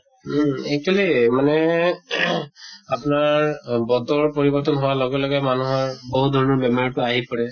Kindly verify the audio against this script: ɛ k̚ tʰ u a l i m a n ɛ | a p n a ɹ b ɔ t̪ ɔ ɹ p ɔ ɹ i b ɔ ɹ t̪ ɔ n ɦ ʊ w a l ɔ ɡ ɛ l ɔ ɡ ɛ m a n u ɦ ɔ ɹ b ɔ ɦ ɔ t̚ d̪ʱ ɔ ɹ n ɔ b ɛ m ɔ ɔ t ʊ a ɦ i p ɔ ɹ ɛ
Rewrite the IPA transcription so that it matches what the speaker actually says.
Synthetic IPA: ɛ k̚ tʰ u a l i m a n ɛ | a p n a ɹ b ɔ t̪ ɔ ɹ p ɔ ɹ i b ɔ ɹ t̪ ɔ n ɦ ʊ w a l ɔ ɡ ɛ l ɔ ɡ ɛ m a n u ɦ ɔ ɹ b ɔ ɦ u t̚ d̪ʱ ɔ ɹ n ɔ b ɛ m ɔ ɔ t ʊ a ɦ i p ɔ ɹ ɛ